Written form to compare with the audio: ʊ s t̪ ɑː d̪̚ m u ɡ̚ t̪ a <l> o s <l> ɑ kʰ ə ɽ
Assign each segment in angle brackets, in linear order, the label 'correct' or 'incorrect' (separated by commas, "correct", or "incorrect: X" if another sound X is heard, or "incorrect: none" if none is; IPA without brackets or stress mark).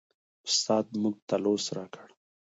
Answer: correct, incorrect: ɾ